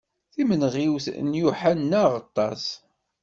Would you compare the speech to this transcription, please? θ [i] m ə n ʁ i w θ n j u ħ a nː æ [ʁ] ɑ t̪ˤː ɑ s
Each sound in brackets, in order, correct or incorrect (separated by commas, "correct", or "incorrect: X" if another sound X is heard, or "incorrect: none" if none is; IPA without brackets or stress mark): correct, correct